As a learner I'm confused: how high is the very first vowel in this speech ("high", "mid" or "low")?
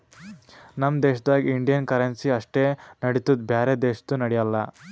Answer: low